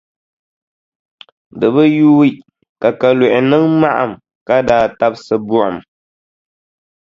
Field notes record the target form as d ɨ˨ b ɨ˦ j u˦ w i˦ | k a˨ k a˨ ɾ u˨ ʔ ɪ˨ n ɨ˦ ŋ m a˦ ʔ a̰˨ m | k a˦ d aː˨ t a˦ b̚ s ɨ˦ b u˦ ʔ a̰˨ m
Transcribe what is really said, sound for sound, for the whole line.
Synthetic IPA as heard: d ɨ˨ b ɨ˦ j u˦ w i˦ | k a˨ k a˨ l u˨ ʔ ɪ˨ n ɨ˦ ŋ m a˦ ʔ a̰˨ m | k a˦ d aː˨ t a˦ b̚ s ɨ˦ b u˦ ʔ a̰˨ m

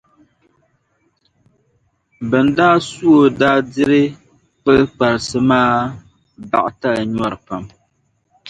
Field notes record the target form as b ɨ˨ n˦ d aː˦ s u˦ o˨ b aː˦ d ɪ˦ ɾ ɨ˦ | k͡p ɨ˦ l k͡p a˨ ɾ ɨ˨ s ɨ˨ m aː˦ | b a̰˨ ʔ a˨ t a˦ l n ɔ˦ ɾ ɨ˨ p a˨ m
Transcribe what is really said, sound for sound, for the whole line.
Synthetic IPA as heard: b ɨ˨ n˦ d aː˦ s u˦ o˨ d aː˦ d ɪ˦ ɾ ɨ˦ | k͡p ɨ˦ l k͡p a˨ ɾ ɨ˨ s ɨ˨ m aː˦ | b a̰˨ ʔ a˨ t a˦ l ɲ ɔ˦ ɾ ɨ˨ p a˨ m

